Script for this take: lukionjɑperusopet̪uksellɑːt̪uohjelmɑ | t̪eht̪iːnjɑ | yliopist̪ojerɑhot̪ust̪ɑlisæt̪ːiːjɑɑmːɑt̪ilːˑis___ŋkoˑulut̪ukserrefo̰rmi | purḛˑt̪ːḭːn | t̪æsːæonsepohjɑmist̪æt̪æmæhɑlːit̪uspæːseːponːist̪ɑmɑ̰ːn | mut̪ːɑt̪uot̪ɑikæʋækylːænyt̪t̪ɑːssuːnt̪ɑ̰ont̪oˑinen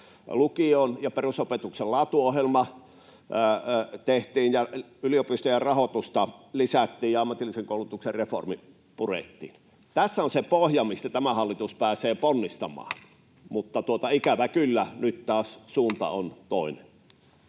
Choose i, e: e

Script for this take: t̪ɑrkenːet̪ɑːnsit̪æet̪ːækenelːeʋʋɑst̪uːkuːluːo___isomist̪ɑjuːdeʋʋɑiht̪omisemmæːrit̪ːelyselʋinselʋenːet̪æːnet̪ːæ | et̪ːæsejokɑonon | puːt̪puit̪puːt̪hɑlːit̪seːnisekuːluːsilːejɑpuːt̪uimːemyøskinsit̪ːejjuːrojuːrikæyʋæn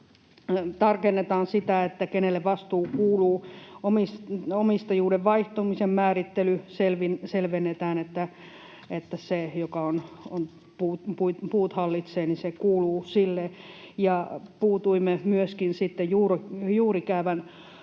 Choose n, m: m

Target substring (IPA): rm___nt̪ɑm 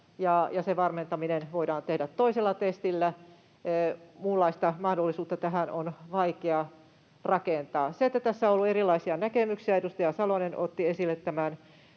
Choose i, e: e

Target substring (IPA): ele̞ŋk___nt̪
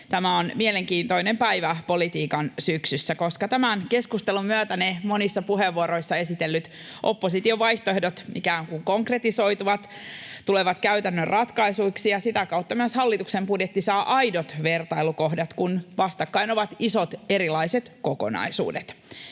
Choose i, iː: iː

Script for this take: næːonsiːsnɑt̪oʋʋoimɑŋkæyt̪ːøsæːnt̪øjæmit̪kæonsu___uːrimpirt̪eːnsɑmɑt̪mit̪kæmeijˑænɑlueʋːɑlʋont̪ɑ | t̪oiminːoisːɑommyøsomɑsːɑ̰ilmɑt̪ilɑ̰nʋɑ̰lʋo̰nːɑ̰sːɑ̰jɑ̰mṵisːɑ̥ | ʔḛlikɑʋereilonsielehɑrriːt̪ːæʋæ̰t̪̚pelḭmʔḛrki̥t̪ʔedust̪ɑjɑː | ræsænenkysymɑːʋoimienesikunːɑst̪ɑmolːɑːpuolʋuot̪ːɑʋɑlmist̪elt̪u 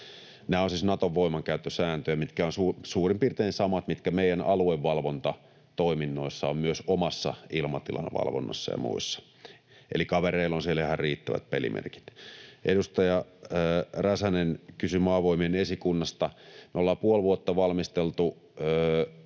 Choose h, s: s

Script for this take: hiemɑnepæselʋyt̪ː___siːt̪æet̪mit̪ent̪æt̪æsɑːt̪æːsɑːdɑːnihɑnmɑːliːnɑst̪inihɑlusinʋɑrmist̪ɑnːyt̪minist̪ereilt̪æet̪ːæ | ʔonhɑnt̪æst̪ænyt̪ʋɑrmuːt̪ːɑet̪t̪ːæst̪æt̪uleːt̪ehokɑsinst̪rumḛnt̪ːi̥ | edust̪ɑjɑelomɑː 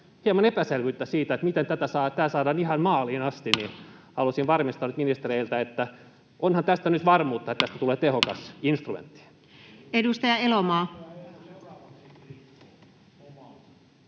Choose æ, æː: æ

